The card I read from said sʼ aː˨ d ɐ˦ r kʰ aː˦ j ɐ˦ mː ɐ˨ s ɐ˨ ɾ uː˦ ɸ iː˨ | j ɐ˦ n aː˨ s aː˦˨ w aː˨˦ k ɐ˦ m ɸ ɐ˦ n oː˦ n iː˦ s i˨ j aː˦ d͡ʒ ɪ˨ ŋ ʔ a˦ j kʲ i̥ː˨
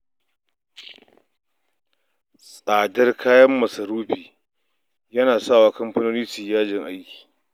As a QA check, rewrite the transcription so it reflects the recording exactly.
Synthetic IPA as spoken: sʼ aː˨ d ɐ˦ r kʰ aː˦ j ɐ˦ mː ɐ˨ s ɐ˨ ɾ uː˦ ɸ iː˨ | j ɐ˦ n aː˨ s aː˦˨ w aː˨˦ k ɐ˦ m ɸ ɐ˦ n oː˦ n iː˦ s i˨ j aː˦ d͡ʒ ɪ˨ ŋ ʔ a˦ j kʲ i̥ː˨